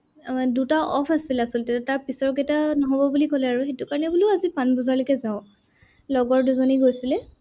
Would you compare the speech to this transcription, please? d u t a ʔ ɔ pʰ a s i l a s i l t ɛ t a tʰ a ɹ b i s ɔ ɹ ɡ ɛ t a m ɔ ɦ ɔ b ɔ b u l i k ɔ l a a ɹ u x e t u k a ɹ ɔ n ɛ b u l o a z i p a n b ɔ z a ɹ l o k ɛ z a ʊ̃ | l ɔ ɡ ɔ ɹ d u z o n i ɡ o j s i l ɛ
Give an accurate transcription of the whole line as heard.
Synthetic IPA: d u t a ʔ ɔ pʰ a s i l a s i l t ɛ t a t a ɹ p i s ɔ ɹ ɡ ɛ t a n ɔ ɦ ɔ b ɔ b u l i k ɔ l ɛ a ɹ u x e t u k a ɹ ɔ n ɛ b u l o a z i p a n b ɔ z a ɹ l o k ɛ z a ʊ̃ | l ɔ ɡ ɔ ɹ d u z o n i ɡ o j s i l ɛ